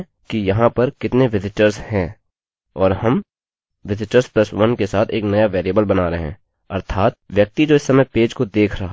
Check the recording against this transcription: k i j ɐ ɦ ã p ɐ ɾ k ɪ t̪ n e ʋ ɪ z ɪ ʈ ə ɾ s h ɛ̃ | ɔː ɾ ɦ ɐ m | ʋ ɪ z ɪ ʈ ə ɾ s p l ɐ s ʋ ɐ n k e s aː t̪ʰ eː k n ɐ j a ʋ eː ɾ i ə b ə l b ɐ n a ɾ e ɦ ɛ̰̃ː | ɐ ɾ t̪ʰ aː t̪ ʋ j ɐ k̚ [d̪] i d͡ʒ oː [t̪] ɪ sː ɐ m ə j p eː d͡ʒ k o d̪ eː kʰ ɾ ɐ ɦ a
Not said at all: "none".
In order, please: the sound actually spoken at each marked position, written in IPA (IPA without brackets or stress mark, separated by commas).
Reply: t̪, none